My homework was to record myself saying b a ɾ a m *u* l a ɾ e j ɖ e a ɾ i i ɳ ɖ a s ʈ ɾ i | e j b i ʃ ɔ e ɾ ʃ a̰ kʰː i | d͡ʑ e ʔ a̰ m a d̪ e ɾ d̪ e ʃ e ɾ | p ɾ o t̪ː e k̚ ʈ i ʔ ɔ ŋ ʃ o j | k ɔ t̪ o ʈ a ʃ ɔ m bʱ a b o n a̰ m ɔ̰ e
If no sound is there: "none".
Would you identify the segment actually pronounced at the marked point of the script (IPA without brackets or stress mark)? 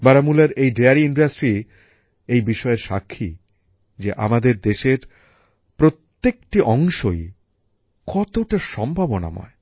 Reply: u